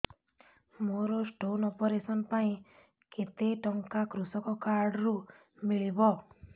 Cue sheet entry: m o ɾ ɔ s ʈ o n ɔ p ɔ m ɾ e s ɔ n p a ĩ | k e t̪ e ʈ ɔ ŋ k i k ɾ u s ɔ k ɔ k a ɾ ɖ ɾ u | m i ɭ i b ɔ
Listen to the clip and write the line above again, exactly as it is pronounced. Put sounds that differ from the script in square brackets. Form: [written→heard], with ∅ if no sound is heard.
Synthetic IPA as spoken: m o ɾ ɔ s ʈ o n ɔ p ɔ [m→∅] ɾ e s ɔ n p a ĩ | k e t̪ e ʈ ɔ ŋ k [i→a] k ɾ u s ɔ k ɔ k a ɾ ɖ ɾ u | m i ɭ i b ɔ